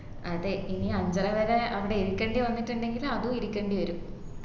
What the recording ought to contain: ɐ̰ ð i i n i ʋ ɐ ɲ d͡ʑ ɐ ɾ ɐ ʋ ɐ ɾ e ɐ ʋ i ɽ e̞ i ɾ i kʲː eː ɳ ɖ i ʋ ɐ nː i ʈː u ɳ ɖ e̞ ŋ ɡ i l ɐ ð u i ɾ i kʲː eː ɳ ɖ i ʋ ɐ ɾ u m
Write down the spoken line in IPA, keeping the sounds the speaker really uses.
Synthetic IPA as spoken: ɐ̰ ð e i n i ɐ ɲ d͡ʑ ɐ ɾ ɐ ʋ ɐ ɾ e ɐ ʋ i ɽ e̞ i ɾ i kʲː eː ɳ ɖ i ʋ ɐ nː i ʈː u ɳ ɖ e̞ ŋ ɡ i l ɐ ð u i ɾ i kʲː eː ɳ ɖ i ʋ ɐ ɾ u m